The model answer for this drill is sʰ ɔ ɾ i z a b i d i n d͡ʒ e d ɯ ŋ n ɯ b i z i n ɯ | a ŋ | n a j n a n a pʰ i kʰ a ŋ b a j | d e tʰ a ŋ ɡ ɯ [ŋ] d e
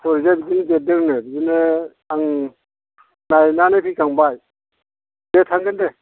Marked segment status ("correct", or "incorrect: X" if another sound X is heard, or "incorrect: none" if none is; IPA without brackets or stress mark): incorrect: n